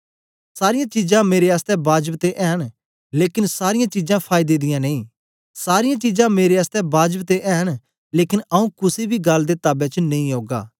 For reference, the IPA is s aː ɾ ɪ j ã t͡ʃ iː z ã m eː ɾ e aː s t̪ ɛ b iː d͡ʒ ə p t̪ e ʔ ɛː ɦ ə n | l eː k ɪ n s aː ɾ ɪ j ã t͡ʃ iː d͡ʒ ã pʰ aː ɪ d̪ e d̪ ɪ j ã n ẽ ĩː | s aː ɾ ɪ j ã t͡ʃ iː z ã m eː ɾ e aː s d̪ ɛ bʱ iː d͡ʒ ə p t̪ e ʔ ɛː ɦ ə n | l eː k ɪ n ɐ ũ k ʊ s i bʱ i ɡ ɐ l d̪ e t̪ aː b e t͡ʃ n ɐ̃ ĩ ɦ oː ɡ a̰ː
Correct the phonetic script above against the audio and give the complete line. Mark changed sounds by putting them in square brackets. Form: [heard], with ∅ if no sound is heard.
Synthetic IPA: s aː ɾ ɪ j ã t͡ʃ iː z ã m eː ɾ e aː s t̪ ɛ b [aː] d͡ʒ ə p t̪ e ʔ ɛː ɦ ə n | l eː k ɪ n s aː ɾ ɪ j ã t͡ʃ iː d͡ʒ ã pʰ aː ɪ d̪ e d̪ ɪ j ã n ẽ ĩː | s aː ɾ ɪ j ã t͡ʃ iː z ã m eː ɾ e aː s [t̪] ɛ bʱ [aː] d͡ʒ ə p t̪ e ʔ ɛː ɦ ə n | l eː k ɪ n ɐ ũ k ʊ s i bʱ i ɡ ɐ l d̪ e t̪ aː b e t͡ʃ n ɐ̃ ĩ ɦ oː ɡ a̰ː